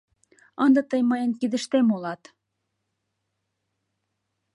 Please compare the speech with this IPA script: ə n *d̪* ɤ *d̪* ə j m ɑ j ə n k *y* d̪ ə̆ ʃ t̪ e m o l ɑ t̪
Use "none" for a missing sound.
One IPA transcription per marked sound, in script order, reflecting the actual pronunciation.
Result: d̪, t̪, i

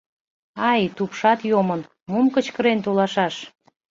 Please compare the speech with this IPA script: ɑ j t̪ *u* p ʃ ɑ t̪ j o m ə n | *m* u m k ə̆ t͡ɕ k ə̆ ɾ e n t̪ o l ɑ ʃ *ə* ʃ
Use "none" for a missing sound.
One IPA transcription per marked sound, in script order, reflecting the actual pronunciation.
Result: u, m, ɑ

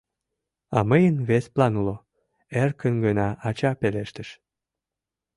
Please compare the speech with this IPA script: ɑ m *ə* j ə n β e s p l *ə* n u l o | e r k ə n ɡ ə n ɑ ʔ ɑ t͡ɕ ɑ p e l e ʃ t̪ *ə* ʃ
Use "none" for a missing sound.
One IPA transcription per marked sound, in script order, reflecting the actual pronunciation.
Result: ə, ɑ, ə

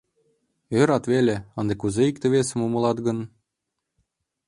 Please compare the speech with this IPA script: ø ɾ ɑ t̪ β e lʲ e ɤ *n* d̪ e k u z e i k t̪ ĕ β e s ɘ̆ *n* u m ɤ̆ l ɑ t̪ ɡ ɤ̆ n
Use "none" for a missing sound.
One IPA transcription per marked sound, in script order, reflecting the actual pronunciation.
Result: n, m

